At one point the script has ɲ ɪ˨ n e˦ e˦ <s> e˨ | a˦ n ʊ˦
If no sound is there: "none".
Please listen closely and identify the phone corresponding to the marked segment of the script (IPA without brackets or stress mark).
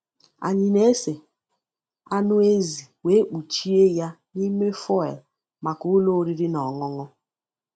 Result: s